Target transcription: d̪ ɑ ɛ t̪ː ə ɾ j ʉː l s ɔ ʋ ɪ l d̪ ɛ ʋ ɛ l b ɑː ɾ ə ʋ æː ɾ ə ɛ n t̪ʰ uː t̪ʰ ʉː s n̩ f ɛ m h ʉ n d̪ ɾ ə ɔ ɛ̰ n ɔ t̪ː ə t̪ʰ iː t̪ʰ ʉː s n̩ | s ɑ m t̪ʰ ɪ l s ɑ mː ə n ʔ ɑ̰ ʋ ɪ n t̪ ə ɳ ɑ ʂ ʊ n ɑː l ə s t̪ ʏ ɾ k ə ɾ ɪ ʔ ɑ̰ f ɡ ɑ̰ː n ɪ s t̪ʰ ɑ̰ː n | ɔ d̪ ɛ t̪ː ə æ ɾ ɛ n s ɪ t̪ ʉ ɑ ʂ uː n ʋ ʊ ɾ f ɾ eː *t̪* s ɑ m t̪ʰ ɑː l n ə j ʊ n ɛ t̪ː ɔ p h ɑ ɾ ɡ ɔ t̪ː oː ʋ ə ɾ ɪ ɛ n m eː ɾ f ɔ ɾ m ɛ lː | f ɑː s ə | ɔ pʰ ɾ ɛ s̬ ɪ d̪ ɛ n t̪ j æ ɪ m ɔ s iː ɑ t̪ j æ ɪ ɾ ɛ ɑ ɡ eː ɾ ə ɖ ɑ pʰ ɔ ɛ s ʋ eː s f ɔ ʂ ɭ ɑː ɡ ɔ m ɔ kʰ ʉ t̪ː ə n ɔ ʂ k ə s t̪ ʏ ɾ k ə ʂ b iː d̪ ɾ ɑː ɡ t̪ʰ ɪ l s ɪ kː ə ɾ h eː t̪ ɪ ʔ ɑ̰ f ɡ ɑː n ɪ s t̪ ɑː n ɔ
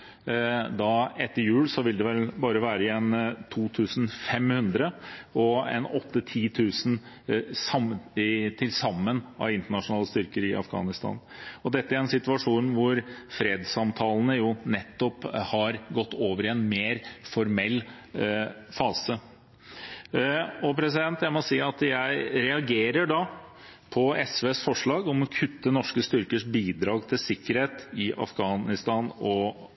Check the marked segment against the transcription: incorrect: d̪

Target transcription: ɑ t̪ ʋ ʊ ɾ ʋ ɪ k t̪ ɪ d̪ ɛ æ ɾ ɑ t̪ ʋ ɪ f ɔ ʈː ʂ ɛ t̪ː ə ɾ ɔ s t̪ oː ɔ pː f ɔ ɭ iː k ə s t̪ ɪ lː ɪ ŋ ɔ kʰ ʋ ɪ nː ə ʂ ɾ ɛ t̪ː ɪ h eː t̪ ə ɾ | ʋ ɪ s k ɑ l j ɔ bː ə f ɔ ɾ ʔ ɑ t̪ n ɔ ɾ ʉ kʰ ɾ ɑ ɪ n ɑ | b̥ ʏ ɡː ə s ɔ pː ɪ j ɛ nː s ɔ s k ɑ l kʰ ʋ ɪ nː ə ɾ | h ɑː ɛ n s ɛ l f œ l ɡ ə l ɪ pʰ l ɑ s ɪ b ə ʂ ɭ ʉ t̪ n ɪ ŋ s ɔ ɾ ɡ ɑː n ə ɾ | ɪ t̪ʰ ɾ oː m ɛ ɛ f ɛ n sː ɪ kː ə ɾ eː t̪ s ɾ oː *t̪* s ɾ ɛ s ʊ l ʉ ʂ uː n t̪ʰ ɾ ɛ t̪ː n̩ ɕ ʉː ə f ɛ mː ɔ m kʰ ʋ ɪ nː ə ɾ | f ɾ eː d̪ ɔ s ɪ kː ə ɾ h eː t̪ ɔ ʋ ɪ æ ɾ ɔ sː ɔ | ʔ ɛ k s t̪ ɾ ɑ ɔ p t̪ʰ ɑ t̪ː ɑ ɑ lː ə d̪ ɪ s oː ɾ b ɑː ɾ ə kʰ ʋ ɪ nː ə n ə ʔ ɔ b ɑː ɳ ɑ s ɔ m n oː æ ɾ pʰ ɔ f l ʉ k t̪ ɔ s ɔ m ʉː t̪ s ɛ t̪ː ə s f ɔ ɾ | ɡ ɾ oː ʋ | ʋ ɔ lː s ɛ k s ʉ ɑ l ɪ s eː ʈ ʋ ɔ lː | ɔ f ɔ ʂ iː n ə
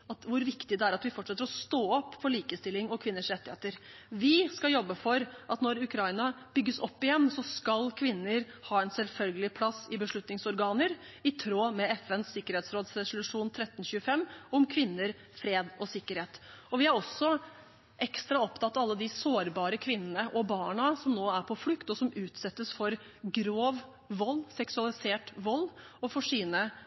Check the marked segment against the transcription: incorrect: d̪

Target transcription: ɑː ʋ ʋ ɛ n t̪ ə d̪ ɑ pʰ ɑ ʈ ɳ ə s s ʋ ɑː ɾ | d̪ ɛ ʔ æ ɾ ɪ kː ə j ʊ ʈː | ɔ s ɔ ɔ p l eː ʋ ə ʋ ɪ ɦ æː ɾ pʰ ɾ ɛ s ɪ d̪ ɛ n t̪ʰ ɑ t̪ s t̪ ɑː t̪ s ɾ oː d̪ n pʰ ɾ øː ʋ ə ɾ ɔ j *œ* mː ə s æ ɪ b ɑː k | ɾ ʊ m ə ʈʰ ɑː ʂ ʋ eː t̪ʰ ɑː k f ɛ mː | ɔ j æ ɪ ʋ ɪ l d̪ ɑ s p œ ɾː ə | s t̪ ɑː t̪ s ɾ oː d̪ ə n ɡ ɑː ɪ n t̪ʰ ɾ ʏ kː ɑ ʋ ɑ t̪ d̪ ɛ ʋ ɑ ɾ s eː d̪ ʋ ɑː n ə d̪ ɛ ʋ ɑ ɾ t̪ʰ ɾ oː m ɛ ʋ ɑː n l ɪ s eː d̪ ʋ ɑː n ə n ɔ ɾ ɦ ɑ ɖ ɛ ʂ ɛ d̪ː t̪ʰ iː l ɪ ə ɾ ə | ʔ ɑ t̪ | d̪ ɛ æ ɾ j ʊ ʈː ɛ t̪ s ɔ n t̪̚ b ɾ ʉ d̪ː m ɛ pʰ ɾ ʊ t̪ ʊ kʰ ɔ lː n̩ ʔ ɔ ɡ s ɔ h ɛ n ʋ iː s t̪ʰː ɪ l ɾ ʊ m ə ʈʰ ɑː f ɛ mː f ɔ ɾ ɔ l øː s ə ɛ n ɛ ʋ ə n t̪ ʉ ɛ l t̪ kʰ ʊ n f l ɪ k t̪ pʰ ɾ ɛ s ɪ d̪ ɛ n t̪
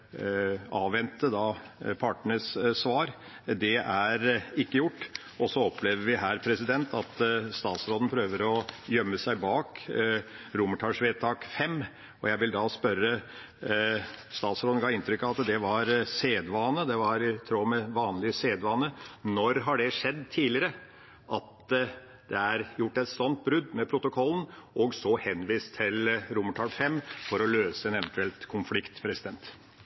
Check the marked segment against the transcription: correct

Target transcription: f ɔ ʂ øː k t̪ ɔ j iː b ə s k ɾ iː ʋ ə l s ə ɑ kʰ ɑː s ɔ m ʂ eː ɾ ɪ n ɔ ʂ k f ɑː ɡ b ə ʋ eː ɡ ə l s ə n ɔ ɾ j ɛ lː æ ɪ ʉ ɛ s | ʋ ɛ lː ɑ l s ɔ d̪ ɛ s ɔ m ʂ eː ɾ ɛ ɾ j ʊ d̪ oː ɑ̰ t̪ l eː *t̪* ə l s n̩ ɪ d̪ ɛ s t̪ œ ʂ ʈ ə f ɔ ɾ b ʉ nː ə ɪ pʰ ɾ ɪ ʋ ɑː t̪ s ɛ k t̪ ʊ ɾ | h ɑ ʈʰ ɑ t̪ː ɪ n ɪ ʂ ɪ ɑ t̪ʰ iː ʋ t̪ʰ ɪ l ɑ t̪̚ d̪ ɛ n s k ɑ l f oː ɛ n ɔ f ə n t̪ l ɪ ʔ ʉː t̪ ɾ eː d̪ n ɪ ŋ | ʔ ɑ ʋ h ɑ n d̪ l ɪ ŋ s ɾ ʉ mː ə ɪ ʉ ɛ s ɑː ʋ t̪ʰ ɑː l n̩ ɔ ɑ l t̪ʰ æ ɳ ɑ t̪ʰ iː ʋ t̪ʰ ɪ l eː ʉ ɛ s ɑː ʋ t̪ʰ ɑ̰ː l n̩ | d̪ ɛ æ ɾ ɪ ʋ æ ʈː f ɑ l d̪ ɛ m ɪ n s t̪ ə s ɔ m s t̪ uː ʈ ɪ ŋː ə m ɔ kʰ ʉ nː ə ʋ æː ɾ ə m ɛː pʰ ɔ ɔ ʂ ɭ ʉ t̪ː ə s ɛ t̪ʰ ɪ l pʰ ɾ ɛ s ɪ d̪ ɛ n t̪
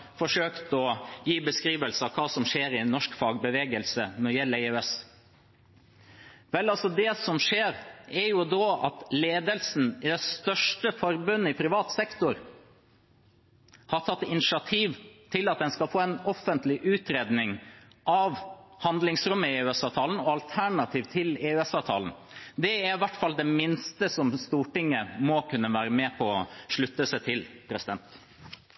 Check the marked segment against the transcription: incorrect: d̪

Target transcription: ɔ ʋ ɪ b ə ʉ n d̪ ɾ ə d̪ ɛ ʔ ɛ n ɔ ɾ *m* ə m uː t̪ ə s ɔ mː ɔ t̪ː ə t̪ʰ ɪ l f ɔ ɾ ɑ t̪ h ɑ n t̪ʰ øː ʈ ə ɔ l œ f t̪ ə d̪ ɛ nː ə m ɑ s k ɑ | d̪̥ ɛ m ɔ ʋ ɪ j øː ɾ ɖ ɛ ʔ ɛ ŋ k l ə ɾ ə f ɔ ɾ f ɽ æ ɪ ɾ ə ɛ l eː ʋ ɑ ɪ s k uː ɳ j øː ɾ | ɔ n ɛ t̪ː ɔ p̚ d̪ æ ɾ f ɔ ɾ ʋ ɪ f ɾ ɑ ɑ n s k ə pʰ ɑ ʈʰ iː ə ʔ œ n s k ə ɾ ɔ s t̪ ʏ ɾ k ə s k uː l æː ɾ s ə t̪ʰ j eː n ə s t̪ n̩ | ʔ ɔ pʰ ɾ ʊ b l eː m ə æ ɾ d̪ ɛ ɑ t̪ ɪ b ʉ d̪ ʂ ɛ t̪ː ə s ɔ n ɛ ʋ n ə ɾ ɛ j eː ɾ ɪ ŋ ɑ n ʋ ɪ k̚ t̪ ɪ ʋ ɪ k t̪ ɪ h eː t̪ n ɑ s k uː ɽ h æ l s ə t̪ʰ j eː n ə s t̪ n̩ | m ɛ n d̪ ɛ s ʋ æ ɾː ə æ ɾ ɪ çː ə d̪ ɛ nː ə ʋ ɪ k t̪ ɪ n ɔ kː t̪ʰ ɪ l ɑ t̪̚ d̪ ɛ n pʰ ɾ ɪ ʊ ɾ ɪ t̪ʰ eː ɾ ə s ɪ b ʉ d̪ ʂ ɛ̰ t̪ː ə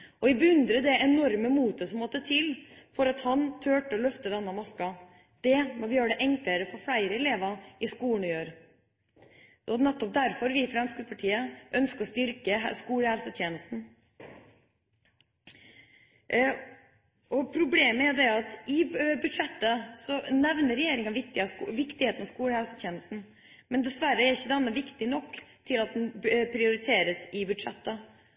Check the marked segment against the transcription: correct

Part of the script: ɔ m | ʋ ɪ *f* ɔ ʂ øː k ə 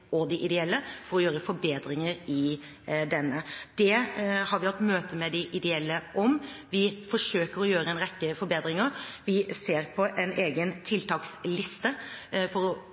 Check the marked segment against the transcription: correct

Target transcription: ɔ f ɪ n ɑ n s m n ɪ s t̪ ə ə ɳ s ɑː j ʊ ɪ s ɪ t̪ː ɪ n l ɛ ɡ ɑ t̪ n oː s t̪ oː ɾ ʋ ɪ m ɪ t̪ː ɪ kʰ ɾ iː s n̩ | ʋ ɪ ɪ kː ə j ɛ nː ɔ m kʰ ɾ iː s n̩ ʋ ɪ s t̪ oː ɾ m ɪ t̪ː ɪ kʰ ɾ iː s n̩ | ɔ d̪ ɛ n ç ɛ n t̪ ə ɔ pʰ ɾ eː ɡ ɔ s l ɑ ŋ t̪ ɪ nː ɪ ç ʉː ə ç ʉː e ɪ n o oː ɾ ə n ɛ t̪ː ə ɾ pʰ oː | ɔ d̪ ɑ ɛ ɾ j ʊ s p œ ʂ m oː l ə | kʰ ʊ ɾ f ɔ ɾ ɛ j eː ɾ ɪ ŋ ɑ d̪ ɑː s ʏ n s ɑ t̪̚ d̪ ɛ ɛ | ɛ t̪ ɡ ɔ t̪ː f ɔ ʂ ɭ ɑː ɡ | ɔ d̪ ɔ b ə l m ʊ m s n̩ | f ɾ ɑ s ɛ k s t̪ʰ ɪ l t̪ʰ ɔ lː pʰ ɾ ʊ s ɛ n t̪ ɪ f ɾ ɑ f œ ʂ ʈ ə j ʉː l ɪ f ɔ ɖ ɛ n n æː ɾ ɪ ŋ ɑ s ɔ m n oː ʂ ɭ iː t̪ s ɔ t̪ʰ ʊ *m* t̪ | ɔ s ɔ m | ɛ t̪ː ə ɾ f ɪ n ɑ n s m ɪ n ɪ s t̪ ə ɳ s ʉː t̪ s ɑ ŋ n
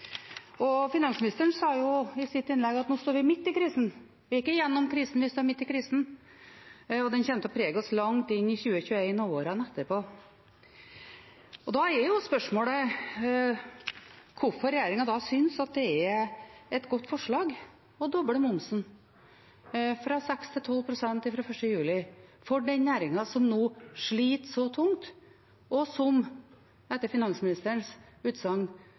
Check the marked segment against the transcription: incorrect: ŋ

